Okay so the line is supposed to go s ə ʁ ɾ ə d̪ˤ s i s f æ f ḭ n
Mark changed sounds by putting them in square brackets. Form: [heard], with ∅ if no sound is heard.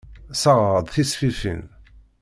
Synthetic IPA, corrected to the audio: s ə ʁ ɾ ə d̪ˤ [θ] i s f [i] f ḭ n